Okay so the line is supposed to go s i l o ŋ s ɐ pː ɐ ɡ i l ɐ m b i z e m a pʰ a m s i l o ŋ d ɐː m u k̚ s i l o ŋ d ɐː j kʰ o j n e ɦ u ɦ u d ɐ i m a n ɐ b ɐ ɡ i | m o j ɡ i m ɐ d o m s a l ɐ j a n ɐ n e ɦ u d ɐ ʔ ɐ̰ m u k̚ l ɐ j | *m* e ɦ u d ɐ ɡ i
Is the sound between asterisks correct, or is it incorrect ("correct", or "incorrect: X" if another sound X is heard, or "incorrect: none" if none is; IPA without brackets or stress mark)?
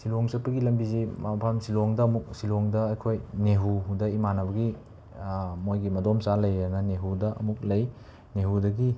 incorrect: n